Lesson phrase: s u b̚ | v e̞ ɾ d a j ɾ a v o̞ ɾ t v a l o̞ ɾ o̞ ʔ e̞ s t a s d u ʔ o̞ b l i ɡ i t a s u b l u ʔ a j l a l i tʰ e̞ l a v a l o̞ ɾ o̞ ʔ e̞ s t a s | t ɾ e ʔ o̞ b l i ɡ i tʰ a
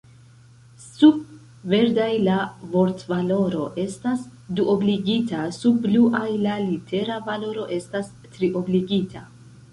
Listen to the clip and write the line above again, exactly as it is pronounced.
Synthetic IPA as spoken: s u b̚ | v e̞ ɾ d a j l a v o̞ ɾ t v a l o̞ ɾ o̞ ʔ e̞ s t a s d u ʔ o̞ b l i ɡ i t a s u b l u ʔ a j l a l i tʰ e̞ ɾ a v a l o̞ ɾ o̞ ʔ e̞ s t a s | t ɾ i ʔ o̞ b l i ɡ i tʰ a